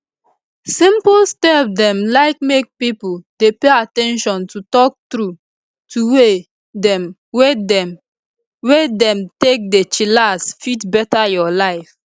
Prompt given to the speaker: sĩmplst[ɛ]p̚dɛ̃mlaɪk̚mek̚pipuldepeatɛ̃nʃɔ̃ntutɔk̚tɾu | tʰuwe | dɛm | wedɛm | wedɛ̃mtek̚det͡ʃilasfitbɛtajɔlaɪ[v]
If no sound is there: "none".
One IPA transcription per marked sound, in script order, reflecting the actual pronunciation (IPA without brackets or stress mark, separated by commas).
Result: ɛ, f